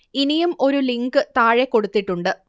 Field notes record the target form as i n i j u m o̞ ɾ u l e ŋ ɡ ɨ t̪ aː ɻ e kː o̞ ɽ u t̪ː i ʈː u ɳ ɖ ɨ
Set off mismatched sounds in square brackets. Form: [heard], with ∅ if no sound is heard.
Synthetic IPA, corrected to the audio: i n i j u m o̞ ɾ u l [i] ŋ ɡ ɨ t̪ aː ɻ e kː o̞ ɽ u t̪ː i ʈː u ɳ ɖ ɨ